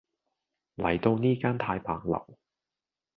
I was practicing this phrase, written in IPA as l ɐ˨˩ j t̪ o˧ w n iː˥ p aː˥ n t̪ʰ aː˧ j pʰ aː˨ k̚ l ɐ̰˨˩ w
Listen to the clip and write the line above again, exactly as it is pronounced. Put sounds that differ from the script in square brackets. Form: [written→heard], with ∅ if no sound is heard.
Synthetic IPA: l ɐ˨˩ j t̪ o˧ w n iː˥ [p→k] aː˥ n t̪ʰ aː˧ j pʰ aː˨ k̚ l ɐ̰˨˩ w